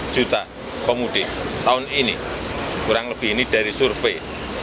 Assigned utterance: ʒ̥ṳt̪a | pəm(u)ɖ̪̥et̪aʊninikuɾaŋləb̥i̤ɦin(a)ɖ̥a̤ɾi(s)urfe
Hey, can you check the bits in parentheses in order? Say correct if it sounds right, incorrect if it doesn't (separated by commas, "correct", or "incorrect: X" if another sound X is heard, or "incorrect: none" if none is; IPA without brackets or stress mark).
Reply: correct, incorrect: i, correct